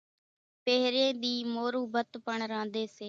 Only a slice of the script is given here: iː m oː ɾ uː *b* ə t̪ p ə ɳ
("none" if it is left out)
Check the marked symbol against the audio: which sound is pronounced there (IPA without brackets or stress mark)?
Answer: b